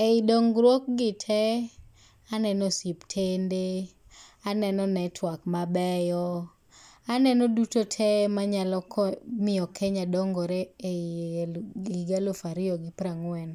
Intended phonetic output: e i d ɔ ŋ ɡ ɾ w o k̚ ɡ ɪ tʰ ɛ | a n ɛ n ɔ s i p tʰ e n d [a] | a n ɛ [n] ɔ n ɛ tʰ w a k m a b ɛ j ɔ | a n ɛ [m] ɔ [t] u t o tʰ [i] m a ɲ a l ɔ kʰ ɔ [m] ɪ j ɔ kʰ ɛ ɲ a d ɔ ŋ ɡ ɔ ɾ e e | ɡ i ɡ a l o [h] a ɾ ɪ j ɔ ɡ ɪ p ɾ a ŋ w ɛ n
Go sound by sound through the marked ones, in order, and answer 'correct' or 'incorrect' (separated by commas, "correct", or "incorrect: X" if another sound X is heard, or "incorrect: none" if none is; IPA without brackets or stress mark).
incorrect: e, correct, incorrect: n, incorrect: d, incorrect: ɛ, correct, incorrect: f